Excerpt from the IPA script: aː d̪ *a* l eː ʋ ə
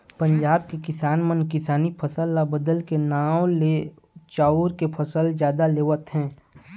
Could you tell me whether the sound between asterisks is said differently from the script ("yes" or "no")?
no